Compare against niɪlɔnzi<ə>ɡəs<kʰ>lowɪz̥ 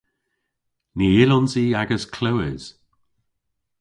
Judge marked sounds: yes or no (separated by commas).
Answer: no, yes